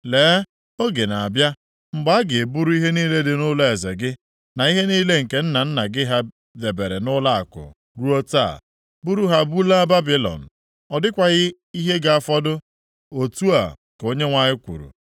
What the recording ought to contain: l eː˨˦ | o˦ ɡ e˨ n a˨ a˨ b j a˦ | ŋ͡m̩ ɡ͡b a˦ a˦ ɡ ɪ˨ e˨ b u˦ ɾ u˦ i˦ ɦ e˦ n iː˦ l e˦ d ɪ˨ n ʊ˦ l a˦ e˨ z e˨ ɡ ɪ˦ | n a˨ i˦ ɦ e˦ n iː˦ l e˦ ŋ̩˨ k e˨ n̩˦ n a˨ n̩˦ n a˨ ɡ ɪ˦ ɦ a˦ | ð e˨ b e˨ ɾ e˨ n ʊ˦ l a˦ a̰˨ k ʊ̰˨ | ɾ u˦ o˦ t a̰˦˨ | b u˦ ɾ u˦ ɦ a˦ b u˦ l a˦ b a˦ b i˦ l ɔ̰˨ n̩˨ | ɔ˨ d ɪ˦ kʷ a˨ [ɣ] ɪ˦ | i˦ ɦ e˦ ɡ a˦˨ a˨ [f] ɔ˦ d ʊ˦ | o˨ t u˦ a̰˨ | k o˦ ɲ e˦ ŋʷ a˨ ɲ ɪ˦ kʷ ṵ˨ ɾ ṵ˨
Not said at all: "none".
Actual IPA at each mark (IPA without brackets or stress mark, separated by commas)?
ɣ, f